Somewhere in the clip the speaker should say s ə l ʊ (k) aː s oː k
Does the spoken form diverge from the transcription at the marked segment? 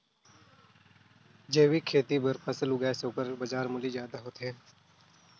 yes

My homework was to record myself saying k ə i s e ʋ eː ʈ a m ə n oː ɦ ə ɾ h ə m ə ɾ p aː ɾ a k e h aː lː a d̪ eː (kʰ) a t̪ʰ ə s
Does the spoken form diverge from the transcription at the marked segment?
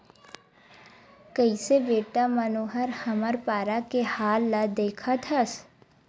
no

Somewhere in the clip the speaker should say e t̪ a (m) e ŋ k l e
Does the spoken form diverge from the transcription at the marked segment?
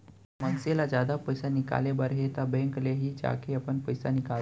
yes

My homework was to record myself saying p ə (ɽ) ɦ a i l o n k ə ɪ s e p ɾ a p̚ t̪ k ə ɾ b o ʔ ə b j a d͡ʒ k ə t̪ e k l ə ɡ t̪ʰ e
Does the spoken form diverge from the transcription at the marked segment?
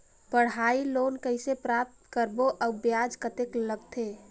no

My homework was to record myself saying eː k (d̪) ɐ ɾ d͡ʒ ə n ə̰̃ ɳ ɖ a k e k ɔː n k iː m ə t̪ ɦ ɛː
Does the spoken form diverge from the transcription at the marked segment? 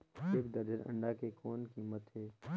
no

